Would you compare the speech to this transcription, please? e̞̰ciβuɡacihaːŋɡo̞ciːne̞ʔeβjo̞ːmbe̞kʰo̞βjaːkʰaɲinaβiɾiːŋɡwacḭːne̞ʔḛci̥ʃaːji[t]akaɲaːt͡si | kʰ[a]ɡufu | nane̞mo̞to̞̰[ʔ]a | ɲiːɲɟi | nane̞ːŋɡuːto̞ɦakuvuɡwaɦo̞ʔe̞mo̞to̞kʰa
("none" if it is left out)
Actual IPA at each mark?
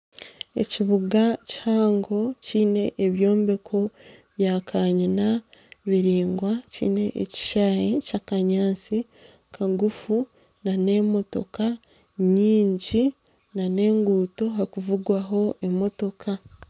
c, a, k

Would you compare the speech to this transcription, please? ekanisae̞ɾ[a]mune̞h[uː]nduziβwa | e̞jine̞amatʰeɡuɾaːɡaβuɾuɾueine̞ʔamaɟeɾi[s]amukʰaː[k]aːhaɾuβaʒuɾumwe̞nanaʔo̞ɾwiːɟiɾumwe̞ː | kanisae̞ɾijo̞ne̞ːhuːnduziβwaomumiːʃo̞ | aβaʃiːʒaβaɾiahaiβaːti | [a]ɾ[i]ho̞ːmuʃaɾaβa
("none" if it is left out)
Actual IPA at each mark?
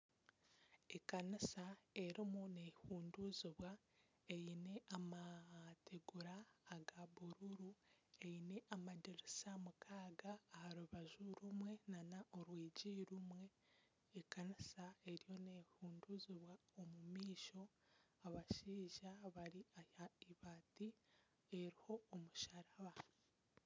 i, uː, s, ɡ, e, i

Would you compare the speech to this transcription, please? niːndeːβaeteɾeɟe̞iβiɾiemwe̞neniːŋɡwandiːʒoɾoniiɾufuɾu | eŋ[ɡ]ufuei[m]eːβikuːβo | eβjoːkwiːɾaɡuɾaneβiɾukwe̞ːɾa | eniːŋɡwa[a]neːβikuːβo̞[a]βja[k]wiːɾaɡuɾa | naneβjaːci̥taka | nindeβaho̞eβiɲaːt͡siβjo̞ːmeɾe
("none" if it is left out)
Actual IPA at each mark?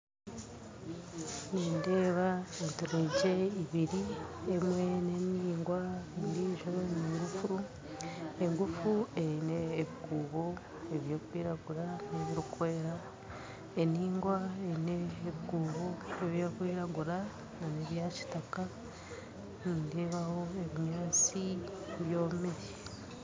ɡ, n, e, e, k

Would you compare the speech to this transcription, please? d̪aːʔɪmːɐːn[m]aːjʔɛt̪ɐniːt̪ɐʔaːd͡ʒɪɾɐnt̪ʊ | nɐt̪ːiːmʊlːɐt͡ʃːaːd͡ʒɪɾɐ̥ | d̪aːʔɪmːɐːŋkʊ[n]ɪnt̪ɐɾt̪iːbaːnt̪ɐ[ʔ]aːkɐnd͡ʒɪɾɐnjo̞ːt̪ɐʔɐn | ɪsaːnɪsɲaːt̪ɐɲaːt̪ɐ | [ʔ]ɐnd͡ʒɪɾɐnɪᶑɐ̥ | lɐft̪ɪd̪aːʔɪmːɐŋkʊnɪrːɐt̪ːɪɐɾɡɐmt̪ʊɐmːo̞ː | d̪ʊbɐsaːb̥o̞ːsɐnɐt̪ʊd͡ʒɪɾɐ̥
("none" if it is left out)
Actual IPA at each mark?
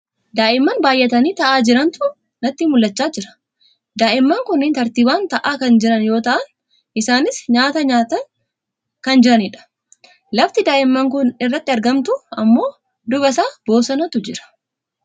b, nː, ʔ, k

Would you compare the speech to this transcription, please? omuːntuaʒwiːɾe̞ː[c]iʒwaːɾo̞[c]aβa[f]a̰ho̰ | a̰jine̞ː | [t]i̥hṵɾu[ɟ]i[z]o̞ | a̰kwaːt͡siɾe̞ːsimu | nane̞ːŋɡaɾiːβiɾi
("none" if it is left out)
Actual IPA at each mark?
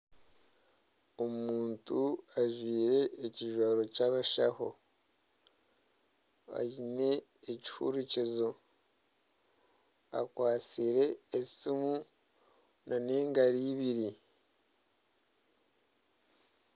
c, c, ʃ, c, c, z

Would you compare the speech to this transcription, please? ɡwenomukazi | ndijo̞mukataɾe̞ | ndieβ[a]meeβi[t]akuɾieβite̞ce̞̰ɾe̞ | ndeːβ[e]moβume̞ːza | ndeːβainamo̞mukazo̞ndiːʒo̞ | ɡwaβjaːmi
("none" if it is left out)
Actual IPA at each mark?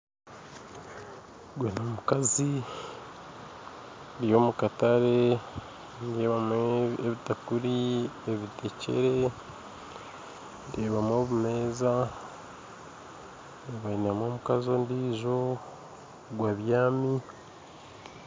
a, t, a

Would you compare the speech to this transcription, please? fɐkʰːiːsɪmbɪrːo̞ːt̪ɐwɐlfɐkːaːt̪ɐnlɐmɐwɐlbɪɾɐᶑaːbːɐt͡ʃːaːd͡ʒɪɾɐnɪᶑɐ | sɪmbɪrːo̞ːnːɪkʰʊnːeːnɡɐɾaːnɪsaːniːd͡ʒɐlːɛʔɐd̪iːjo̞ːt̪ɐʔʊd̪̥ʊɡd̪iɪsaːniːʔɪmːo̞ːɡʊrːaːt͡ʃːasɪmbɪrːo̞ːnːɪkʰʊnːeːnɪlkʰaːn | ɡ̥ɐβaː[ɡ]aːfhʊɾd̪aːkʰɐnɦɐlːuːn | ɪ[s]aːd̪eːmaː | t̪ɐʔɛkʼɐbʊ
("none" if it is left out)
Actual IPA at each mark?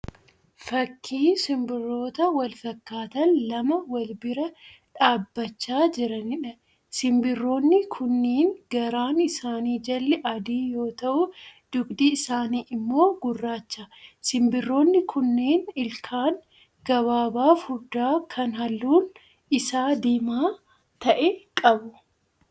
b, s

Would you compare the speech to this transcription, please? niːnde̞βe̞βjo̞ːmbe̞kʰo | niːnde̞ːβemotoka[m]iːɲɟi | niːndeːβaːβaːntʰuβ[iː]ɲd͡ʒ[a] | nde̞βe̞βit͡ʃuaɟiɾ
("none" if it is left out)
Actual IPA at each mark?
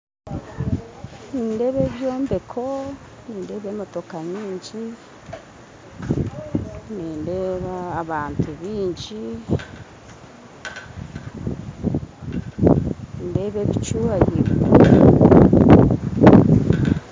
ɲ, iː, i

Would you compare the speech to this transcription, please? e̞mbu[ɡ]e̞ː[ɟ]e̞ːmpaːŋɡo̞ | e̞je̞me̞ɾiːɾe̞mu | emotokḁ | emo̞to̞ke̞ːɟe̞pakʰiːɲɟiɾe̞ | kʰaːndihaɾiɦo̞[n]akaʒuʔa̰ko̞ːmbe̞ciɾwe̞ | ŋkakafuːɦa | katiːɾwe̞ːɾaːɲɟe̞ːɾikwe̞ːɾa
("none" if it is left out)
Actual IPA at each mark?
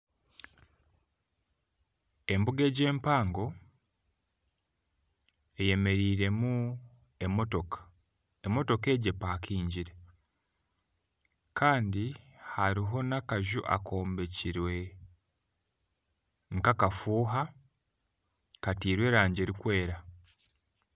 ɡ, ɟ, n

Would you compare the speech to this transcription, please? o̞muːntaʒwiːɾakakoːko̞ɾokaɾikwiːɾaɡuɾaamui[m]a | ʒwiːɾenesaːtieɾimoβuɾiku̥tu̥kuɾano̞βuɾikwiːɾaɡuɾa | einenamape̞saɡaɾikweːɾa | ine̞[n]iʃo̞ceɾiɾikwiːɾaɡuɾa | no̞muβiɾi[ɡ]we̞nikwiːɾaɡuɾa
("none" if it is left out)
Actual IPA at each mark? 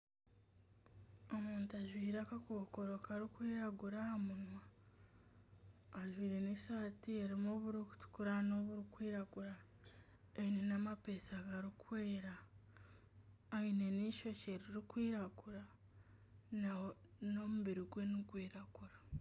m, n, ɡ

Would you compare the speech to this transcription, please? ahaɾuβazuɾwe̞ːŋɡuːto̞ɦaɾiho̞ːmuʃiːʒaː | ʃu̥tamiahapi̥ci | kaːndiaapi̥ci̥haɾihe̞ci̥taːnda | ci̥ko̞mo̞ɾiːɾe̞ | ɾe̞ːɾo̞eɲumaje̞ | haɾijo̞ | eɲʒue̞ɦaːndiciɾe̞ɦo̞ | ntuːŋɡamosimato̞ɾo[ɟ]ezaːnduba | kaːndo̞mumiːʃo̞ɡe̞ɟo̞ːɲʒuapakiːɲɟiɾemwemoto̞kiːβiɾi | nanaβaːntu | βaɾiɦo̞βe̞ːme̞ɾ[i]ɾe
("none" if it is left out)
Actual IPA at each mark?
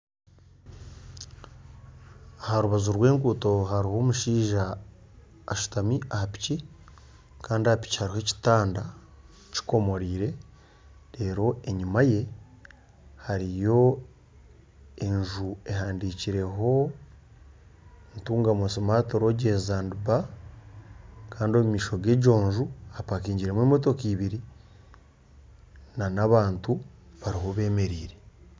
ɟ, iː

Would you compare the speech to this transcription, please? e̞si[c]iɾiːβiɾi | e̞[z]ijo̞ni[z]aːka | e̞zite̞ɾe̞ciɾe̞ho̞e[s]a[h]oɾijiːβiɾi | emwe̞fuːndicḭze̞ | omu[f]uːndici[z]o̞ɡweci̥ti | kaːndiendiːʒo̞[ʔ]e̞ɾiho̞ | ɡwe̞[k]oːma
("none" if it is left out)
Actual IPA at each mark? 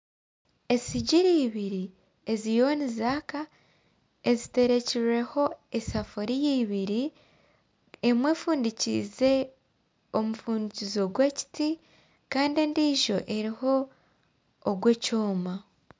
ɟ, z, z, s, f, f, z, ʔ, c

